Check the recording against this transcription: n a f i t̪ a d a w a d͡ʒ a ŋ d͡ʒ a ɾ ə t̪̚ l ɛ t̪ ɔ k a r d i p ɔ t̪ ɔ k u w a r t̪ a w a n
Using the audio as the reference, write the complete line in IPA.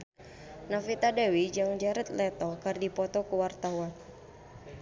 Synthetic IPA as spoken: n a f i t̪ a d a w i d͡ʒ a ŋ d͡ʒ a ɾ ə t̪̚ l ɛ t̪ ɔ k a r d i p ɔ t̪ ɔ k u w a r t̪ a w a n